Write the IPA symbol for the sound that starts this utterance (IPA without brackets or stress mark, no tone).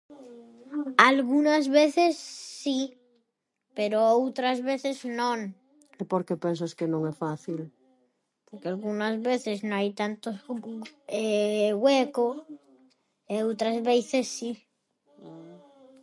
a